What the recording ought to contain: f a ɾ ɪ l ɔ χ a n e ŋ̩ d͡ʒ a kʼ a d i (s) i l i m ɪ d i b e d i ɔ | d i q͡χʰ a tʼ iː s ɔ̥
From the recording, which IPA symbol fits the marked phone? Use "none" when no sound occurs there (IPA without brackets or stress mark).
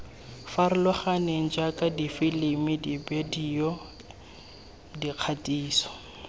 f